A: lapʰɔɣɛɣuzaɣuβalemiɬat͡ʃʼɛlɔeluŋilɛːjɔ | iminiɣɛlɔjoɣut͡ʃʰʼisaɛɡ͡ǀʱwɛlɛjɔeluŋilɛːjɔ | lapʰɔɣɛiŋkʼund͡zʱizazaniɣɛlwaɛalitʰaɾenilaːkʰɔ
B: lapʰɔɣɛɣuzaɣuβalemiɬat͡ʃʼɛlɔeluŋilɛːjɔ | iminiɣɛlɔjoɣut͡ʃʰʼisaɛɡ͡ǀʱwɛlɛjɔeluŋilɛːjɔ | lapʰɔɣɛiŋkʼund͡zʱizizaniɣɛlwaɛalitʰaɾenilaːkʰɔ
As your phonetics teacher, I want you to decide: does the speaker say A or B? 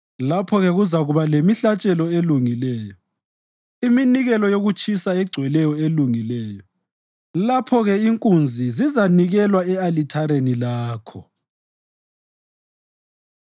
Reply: B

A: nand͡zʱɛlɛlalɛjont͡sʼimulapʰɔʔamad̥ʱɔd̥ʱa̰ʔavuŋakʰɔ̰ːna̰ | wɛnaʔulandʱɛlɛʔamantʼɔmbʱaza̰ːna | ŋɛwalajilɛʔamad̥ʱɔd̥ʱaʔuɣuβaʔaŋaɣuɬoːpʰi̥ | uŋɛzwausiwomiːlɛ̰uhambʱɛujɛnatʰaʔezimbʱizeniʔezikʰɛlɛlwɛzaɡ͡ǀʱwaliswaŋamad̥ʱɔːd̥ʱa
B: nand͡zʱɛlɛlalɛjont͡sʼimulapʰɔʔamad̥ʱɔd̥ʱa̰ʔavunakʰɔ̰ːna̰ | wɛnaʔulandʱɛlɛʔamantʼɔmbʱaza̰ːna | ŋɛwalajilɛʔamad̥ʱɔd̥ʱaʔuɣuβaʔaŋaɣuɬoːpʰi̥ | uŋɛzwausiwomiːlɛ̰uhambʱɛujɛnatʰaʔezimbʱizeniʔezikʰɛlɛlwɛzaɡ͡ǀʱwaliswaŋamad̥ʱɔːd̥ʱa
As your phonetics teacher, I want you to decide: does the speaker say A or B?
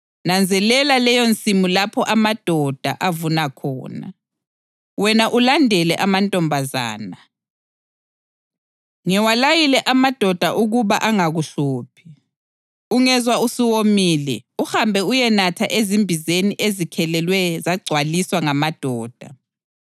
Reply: B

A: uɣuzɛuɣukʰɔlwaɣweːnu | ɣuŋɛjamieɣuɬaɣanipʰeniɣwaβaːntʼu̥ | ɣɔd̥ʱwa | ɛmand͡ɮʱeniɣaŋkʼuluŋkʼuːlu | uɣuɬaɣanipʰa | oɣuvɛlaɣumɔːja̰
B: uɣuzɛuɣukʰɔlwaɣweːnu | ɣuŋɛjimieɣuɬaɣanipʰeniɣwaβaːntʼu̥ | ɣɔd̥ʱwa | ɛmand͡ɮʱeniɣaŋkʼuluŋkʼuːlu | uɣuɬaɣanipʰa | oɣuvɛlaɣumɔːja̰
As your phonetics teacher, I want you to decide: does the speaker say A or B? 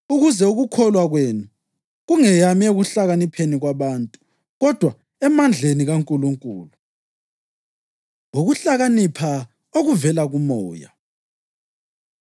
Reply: A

